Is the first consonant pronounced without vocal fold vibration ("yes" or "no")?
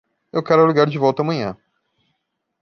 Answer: no